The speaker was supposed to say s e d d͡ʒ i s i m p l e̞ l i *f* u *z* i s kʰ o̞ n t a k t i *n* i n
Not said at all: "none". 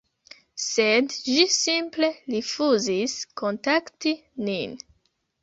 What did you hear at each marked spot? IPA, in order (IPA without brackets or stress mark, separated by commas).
f, z, n